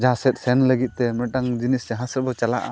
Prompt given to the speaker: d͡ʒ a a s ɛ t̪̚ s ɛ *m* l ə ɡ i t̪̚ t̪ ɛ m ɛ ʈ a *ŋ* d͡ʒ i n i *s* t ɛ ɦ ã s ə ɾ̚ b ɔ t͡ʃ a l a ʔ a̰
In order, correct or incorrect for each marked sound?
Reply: incorrect, correct, correct

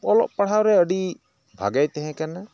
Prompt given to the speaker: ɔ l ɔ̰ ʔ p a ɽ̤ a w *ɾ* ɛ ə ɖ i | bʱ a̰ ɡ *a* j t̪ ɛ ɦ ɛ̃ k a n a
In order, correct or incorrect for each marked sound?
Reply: correct, correct

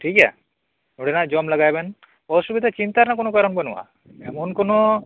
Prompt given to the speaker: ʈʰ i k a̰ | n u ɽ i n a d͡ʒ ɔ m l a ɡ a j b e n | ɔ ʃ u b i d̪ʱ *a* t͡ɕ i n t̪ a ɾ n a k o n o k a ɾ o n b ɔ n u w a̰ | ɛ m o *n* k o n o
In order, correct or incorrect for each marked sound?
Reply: correct, correct

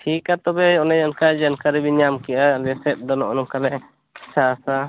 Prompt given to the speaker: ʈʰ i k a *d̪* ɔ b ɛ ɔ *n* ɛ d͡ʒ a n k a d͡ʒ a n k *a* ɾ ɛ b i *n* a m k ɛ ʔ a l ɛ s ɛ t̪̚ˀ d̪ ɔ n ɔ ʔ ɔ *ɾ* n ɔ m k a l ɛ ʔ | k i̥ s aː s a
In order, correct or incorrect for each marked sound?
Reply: incorrect, correct, correct, incorrect, incorrect

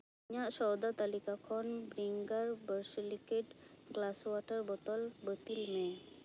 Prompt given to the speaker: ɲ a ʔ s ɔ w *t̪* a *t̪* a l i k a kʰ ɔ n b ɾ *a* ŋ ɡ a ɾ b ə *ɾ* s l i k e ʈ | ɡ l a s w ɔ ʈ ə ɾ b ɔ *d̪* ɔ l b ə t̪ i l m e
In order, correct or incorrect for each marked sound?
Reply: incorrect, correct, incorrect, correct, incorrect

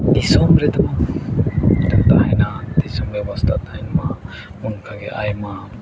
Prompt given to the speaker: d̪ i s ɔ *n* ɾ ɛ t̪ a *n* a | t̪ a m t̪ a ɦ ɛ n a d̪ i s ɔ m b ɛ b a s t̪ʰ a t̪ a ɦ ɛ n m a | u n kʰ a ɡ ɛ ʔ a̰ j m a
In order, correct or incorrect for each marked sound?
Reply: incorrect, incorrect

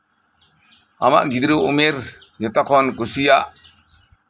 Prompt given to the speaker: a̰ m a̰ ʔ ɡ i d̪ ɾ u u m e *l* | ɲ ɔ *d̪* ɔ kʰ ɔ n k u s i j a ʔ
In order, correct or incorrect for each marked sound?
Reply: incorrect, incorrect

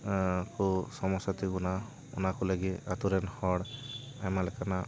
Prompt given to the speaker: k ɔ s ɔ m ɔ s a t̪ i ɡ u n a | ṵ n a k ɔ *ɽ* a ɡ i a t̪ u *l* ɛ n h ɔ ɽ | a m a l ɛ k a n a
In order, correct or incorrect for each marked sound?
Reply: incorrect, incorrect

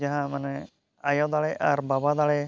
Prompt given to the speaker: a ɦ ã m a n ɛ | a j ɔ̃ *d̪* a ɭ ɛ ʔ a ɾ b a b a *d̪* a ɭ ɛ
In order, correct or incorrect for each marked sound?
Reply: correct, correct

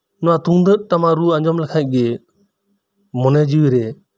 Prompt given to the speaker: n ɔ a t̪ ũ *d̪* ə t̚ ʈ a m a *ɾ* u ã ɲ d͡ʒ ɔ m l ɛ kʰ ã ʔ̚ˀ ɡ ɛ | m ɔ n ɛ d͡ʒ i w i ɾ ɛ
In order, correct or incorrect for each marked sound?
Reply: correct, correct

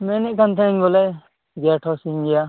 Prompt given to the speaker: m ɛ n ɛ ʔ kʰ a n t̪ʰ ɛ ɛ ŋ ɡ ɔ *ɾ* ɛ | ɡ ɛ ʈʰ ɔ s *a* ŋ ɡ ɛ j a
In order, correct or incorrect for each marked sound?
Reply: incorrect, incorrect

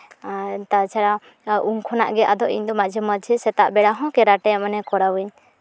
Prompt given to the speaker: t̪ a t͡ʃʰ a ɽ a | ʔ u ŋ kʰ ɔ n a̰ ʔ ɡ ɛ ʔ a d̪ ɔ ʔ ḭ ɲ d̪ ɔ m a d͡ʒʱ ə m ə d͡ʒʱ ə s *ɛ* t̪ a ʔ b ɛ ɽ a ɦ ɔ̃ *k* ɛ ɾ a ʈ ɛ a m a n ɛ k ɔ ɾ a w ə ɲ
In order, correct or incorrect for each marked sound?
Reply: correct, correct

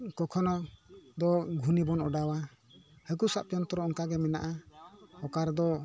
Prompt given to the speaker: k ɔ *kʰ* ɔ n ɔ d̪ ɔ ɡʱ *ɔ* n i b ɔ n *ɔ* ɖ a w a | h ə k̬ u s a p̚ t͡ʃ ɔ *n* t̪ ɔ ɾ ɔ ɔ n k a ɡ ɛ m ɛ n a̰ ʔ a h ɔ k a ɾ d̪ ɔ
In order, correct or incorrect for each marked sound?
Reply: correct, incorrect, correct, correct

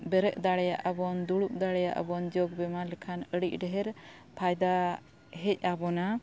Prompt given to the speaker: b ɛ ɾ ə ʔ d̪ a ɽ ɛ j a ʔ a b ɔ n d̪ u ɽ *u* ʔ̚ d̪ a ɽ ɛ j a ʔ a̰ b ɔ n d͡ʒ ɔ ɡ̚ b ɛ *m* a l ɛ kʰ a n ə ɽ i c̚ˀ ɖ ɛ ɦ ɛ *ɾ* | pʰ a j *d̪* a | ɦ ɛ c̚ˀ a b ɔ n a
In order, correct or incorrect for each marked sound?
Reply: correct, correct, correct, correct

